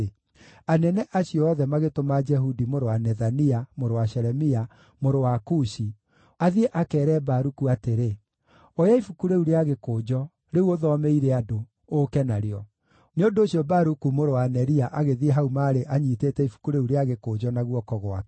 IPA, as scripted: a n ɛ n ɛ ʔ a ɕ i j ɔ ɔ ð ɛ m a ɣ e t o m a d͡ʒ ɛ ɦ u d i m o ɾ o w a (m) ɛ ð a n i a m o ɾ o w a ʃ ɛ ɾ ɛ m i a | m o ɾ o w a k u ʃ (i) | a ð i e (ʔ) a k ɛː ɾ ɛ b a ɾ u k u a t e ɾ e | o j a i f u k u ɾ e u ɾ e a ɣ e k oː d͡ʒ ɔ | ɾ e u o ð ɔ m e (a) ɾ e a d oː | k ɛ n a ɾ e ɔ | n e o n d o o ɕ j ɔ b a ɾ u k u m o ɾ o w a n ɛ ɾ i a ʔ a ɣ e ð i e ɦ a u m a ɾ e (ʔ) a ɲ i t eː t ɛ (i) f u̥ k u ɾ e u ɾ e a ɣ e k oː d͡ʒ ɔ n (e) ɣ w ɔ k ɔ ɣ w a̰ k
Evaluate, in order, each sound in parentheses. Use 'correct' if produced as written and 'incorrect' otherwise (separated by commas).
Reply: incorrect, correct, correct, incorrect, correct, correct, incorrect